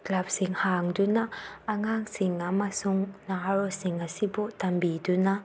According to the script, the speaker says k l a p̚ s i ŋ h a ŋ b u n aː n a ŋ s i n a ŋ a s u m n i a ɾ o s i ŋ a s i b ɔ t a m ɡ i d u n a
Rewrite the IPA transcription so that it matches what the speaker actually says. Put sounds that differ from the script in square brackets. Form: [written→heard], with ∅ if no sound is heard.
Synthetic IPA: k l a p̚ s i ŋ h a ŋ [b→d] u n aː [n→ŋ] a ŋ s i [n→ŋ] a [ŋ→m] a s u [m→ŋ] n [i→a] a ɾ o s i ŋ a s i b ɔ t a m [ɡ→b] i d u n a